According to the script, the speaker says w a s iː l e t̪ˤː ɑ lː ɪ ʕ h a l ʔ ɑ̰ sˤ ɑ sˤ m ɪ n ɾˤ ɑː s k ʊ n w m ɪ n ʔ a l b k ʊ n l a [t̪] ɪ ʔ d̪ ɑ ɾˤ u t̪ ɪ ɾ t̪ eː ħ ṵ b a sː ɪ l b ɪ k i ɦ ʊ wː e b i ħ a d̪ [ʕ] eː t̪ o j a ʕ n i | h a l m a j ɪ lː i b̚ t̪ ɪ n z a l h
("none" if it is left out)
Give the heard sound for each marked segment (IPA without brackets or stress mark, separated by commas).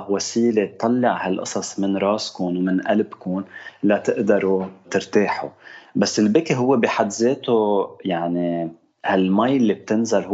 t̪, z